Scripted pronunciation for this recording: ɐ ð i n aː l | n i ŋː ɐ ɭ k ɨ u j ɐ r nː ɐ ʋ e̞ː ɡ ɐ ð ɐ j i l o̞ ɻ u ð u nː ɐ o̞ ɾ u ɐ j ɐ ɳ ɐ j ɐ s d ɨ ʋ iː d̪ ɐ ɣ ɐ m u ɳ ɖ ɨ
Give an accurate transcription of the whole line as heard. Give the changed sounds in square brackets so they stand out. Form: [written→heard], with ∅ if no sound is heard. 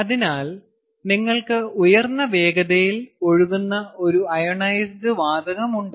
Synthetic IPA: ɐ ð i n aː l | n i ŋː ɐ ɭ k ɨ u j ɐ r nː ɐ ʋ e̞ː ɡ ɐ ð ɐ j i l o̞ ɻ u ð u nː ɐ o̞ ɾ u ɐ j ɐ ɳ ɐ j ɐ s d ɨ ʋ [iː→aː] d̪ ɐ ɣ ɐ m u ɳ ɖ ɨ